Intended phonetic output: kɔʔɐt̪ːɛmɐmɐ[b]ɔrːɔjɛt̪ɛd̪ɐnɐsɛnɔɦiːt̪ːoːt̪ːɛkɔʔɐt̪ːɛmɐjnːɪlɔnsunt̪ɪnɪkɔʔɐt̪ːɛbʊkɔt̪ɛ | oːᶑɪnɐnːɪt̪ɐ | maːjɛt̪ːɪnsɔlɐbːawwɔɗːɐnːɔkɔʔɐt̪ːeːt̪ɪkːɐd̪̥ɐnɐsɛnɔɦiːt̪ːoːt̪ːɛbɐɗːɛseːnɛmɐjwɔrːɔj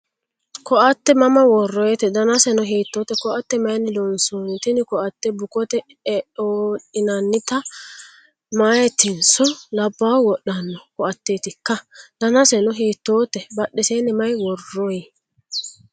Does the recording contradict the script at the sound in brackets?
yes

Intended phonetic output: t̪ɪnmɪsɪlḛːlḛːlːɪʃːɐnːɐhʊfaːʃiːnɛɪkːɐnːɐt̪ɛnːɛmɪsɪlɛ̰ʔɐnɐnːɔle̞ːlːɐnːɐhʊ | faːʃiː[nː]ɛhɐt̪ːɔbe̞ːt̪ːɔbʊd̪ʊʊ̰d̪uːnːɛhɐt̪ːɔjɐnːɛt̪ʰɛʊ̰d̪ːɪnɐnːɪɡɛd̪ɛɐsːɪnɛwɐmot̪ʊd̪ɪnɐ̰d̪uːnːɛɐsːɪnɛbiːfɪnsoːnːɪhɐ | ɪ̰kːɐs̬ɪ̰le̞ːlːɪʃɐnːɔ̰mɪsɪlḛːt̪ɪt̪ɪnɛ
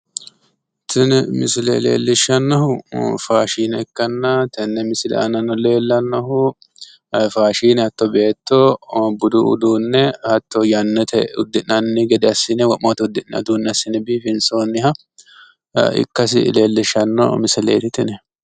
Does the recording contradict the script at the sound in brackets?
yes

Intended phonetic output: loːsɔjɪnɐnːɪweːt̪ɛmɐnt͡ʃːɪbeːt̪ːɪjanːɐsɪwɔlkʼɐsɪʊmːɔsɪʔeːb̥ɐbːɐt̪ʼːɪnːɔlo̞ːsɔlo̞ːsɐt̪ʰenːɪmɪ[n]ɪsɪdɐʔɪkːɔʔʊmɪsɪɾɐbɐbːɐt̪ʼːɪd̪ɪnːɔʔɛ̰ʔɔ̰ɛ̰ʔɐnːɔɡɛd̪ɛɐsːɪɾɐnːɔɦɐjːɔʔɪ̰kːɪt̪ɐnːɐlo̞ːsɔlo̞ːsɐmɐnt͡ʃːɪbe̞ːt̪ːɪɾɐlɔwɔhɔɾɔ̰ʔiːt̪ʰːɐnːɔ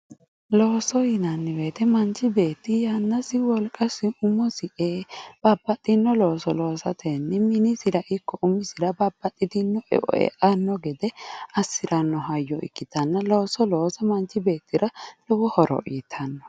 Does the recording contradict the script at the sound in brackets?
no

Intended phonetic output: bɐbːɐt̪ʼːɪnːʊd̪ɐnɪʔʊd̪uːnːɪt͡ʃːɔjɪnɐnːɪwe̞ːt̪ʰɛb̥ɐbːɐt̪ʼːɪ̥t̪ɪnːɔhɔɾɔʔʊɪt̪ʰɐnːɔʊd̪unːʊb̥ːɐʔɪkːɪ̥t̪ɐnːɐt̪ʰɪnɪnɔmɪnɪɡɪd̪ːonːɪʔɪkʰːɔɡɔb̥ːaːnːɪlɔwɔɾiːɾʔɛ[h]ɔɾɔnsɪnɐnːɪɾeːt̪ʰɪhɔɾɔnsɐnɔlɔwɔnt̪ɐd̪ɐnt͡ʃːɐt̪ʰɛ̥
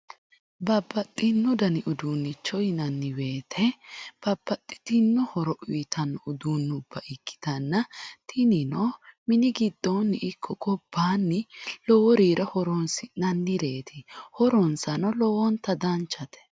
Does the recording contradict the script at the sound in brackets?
no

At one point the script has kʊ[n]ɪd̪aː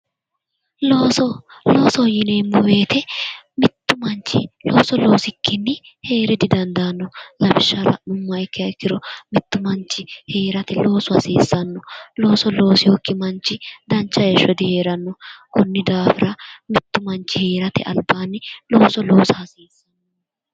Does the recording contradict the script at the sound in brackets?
yes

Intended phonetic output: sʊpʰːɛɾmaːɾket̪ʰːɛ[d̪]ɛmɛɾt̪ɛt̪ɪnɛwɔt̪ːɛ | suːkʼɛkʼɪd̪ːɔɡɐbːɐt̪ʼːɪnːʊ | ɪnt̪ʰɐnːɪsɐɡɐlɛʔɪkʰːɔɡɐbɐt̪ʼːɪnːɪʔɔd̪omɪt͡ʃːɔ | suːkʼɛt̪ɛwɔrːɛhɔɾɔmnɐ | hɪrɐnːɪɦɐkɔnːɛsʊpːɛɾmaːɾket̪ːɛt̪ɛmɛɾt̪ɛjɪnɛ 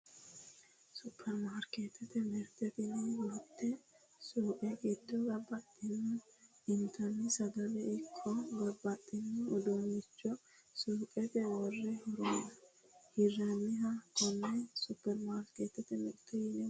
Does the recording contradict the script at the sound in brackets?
yes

